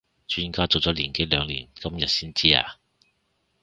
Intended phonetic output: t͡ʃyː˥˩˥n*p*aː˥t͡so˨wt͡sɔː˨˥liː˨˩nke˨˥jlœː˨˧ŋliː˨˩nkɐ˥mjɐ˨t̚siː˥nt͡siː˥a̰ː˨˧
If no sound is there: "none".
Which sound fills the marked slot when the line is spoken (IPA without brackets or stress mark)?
k